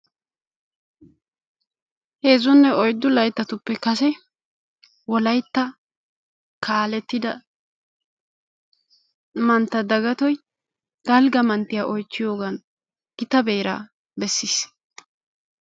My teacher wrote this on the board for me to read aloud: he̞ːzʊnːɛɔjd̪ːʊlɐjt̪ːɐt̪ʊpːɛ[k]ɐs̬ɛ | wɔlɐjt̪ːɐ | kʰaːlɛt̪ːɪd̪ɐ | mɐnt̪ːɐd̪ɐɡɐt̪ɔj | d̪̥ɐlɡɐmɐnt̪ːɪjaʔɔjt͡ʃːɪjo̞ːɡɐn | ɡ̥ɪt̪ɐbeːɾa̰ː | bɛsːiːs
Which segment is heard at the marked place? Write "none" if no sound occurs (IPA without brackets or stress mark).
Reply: k